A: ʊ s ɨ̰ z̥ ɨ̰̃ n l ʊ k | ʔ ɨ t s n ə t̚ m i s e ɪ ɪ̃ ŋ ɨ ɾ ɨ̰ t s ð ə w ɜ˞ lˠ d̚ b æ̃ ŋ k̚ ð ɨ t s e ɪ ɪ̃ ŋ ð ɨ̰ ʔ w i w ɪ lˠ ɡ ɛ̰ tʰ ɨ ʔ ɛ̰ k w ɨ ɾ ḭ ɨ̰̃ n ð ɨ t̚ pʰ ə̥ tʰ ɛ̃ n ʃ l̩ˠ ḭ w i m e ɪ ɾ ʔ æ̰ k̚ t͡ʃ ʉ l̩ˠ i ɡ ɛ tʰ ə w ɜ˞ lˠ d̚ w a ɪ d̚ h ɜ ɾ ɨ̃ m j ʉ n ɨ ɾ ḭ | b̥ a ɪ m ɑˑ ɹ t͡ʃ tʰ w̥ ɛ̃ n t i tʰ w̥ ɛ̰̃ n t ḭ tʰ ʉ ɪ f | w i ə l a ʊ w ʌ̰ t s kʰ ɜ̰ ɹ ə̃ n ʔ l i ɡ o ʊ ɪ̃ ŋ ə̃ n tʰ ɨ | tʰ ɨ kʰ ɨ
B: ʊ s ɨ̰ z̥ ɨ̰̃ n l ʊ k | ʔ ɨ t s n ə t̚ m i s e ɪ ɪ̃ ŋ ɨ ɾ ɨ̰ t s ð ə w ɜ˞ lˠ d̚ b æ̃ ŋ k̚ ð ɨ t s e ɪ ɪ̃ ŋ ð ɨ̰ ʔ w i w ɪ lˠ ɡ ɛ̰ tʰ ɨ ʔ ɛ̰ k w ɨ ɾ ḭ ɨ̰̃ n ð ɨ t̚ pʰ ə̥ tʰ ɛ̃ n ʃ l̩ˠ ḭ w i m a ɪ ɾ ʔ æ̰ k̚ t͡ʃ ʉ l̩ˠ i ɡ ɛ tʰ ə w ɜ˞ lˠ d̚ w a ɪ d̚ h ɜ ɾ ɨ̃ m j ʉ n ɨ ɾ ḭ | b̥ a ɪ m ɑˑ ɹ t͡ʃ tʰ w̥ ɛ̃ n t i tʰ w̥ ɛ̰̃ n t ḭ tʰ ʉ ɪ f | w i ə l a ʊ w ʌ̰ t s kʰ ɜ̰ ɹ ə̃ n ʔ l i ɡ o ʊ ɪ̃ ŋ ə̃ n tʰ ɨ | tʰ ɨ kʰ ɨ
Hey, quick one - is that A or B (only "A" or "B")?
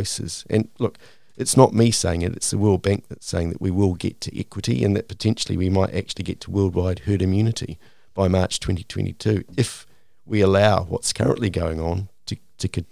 B